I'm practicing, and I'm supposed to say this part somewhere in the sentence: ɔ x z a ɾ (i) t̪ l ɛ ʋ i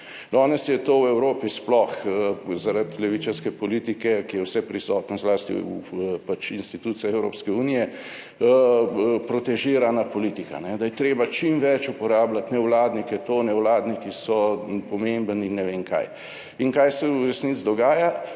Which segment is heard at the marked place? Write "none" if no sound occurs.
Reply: a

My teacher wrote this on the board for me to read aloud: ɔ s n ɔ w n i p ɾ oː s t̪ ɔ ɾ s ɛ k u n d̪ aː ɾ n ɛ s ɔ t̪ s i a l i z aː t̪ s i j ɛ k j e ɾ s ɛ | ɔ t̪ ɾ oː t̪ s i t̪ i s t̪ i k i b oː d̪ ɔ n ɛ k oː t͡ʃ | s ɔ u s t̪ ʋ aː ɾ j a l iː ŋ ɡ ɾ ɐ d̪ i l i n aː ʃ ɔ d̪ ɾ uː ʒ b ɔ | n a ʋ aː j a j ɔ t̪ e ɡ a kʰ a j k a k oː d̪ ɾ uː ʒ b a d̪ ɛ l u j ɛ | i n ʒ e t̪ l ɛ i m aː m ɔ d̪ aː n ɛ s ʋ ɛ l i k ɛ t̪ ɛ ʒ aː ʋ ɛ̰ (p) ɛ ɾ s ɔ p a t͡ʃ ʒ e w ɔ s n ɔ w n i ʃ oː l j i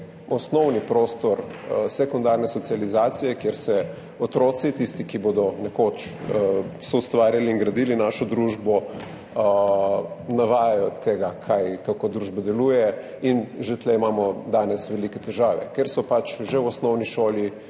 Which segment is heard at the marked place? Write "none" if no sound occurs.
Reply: k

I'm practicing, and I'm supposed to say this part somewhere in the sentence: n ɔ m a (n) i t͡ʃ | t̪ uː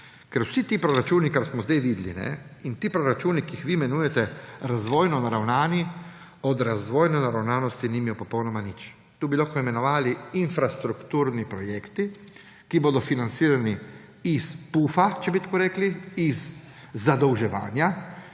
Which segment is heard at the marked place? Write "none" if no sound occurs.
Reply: n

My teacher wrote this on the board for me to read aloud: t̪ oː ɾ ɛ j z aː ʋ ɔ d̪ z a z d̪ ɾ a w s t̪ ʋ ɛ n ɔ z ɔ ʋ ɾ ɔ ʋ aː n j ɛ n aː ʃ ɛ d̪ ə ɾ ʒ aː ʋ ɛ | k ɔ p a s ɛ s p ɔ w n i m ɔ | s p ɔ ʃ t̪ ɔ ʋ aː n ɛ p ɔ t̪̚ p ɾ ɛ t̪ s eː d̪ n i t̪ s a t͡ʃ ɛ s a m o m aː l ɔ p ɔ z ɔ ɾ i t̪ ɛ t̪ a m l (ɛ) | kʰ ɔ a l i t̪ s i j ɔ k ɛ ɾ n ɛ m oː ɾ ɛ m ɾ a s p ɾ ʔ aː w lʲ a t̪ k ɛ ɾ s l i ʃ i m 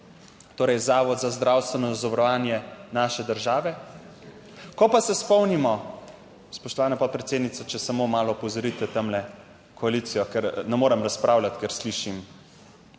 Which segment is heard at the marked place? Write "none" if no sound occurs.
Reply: ɛ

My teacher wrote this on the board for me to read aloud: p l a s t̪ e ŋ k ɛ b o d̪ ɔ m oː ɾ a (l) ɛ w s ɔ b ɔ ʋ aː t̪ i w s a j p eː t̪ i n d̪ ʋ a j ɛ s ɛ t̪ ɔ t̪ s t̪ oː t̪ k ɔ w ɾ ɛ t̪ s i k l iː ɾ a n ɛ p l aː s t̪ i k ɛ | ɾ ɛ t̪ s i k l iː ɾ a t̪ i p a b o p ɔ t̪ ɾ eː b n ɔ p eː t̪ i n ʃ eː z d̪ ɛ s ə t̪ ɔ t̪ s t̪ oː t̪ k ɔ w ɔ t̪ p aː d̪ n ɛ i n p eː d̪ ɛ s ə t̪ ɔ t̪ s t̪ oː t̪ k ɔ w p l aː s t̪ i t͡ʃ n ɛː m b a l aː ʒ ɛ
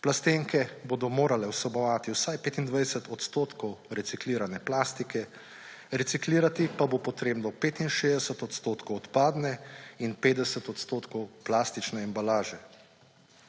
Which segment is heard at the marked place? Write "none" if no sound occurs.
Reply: l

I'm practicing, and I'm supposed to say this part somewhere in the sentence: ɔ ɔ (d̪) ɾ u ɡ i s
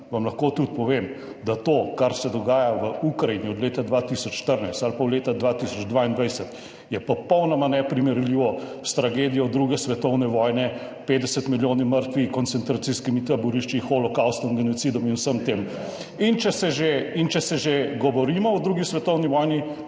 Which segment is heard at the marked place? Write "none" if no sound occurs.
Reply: d̪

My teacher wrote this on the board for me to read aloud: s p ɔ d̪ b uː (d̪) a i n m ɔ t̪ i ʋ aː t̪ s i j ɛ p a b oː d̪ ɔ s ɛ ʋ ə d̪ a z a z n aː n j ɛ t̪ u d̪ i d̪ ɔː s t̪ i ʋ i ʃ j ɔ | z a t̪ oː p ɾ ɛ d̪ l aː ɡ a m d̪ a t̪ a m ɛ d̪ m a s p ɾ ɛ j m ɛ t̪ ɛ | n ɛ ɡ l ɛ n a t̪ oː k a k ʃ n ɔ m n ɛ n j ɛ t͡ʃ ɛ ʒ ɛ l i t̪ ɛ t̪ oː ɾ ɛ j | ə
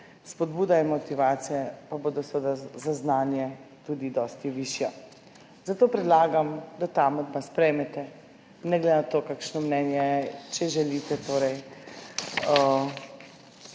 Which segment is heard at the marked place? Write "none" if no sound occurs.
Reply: d̪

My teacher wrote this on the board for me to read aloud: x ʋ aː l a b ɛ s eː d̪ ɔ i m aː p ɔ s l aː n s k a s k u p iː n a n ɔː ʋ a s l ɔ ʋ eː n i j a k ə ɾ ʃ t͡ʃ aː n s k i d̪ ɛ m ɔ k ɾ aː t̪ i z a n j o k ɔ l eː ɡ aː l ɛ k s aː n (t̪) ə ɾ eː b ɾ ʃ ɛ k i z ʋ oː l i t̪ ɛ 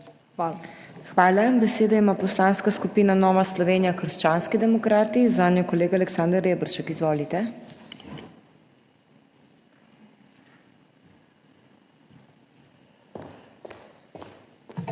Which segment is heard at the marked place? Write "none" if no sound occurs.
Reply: d̪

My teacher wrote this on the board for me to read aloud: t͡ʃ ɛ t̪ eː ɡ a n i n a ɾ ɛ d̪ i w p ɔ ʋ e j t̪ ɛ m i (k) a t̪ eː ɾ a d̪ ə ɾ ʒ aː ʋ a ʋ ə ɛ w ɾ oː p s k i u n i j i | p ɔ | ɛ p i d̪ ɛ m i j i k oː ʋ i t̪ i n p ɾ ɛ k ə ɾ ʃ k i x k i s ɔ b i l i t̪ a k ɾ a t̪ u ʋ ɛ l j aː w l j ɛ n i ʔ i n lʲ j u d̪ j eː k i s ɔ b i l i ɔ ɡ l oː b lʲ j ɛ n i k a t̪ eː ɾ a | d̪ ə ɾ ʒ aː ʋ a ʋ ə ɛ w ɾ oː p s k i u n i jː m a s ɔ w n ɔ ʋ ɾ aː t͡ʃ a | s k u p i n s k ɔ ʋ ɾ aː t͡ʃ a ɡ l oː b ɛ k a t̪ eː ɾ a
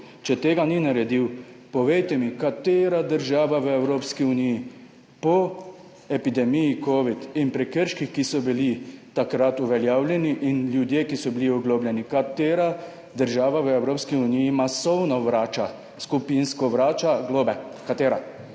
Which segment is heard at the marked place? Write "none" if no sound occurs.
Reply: k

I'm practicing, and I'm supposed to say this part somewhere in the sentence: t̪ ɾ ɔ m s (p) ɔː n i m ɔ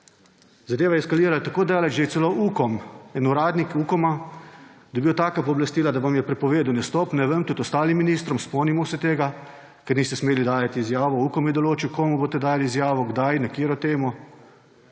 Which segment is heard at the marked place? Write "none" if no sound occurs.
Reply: p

